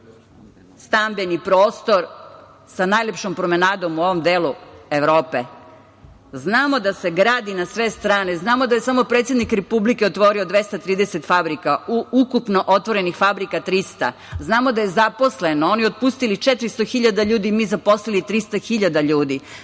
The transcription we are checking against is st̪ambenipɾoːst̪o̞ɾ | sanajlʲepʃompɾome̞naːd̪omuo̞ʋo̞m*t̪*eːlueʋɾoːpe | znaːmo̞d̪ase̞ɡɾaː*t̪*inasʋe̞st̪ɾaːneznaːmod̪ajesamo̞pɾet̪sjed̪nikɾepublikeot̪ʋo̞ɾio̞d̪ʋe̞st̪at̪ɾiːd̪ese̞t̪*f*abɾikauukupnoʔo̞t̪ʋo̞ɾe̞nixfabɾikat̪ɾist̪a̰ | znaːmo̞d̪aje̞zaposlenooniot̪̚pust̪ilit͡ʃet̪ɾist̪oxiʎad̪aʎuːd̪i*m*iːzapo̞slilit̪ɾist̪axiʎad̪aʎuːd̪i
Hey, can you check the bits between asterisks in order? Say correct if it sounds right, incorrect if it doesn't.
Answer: incorrect, incorrect, correct, correct

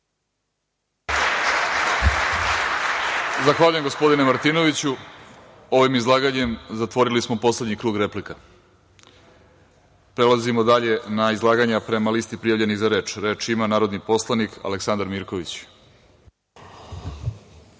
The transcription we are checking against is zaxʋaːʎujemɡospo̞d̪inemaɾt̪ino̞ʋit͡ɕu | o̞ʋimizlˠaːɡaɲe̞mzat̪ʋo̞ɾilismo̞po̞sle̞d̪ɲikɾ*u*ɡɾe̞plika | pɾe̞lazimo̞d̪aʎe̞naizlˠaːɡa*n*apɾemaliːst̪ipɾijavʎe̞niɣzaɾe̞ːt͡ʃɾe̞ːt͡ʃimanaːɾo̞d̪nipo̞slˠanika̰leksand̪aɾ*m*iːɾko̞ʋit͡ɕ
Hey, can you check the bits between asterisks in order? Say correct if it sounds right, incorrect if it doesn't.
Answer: incorrect, incorrect, correct

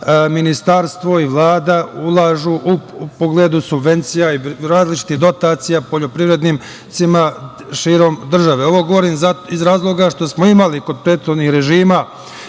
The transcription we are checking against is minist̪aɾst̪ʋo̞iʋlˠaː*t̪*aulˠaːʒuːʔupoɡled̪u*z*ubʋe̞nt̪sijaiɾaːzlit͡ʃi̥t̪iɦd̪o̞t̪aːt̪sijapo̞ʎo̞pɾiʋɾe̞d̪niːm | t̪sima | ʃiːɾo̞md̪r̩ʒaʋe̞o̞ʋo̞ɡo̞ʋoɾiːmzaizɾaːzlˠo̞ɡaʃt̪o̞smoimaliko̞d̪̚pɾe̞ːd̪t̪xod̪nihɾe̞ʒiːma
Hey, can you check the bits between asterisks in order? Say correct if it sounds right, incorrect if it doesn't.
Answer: incorrect, incorrect

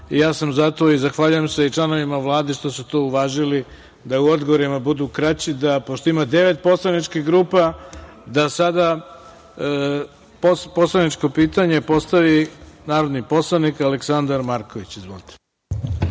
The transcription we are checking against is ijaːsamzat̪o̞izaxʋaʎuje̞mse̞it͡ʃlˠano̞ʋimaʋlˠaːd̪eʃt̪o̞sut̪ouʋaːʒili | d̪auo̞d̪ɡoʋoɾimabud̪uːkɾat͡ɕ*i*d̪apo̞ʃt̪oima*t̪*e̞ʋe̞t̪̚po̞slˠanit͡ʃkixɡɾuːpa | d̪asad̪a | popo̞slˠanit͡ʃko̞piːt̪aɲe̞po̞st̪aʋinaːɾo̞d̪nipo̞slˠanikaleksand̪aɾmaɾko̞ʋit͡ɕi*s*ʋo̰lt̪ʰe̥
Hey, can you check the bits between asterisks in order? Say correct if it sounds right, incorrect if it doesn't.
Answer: correct, incorrect, incorrect

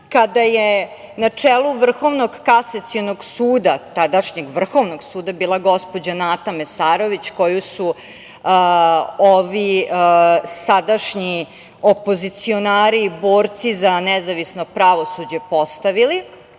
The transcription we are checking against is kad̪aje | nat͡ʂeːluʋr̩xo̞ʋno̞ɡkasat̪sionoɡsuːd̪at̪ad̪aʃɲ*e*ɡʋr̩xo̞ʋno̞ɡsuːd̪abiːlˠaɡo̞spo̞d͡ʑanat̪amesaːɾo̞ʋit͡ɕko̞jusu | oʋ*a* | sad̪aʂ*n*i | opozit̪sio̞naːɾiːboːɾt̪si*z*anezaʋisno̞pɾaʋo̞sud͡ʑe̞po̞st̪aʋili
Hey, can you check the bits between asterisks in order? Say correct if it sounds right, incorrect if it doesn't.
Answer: correct, incorrect, incorrect, correct

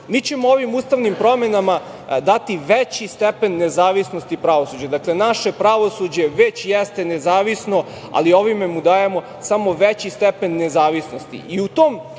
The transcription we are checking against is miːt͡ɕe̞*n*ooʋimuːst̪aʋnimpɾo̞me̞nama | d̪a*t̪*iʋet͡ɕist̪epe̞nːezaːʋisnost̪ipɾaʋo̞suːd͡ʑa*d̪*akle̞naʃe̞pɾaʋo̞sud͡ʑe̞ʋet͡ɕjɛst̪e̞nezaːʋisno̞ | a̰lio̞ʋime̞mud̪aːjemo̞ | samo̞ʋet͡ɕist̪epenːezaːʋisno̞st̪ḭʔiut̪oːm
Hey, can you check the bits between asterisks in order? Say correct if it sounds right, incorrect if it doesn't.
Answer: incorrect, correct, correct

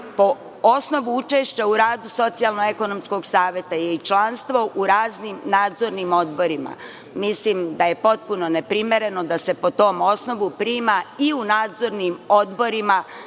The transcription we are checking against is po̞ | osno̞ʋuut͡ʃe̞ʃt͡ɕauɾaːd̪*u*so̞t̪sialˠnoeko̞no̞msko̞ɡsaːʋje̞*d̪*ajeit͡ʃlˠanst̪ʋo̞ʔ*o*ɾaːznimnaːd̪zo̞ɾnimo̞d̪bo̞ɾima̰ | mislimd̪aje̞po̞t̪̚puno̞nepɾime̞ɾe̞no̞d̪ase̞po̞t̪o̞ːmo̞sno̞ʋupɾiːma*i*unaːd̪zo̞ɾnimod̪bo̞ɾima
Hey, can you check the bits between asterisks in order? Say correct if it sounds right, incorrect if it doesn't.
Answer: correct, incorrect, incorrect, correct

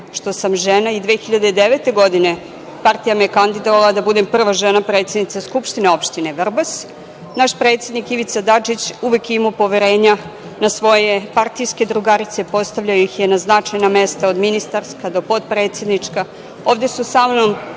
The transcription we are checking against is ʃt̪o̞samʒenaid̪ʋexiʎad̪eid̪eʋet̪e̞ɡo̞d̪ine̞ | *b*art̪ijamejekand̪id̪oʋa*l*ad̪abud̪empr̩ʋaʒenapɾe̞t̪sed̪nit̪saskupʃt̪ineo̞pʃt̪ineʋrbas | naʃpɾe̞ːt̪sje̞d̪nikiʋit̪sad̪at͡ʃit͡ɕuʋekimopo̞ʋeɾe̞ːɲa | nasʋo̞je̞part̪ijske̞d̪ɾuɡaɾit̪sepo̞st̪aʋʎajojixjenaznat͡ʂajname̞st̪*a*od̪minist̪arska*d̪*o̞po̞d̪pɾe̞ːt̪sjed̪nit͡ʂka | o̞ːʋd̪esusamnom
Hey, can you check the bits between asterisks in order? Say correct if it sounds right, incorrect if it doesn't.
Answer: incorrect, correct, correct, correct

